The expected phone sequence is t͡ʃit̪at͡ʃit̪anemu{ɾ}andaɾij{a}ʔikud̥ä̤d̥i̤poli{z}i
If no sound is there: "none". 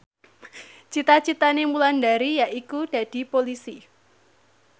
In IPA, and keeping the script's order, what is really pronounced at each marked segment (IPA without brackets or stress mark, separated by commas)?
l, a, s